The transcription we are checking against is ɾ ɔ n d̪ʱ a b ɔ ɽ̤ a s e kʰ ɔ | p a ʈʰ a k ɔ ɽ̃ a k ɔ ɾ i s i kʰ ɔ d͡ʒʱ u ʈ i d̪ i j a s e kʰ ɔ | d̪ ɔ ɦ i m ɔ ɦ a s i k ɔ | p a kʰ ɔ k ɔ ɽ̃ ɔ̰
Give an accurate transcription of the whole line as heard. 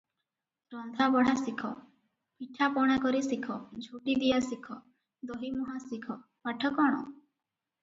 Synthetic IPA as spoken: ɾ ɔ n d̪ʱ a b ɔ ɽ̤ a s i kʰ ɔ | p i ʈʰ a p ɔ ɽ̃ a k ɔ ɾ i s i kʰ ɔ d͡ʒʱ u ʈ i d̪ i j a s i kʰ ɔ | d̪ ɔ ɦ i m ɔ ɦ a s i kʰ ɔ | p a ʈʰ ɔ k ɔ ɽ̃ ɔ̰